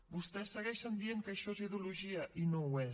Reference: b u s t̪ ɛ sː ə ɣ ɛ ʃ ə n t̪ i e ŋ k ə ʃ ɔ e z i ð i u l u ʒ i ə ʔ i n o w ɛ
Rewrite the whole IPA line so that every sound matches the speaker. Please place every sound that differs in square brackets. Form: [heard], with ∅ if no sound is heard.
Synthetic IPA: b u s t̪ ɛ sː ə ɣ ɛ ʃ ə n [d̪] i e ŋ k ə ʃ ɔ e z i ð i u l u ʒ i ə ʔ i n o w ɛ